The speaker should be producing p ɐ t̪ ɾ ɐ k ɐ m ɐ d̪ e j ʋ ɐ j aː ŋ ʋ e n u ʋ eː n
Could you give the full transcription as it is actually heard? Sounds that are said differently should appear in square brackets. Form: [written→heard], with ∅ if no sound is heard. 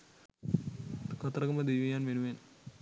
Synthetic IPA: [p→k] ɐ t̪ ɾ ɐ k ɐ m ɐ d̪ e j ʋ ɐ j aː [ŋ→n] ʋ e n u ʋ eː n